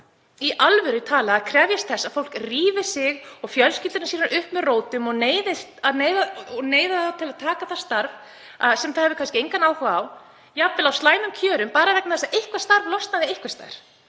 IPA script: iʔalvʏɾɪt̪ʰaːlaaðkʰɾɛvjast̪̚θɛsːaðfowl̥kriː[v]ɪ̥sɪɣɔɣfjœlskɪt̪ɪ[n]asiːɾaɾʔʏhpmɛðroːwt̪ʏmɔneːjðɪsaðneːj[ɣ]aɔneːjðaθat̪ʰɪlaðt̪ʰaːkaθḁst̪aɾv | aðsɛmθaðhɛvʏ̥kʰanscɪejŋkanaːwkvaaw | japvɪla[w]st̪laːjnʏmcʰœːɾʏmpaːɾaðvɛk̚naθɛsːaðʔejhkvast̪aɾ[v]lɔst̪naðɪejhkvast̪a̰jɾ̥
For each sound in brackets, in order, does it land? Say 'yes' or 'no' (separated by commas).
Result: yes, yes, no, yes, yes